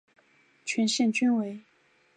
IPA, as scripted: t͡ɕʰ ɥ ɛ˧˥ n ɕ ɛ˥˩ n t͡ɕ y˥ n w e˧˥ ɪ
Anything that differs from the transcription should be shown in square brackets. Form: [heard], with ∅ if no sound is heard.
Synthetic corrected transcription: t͡ɕʰ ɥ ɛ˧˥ n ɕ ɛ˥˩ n t͡ɕ y˥ n w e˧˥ ɪ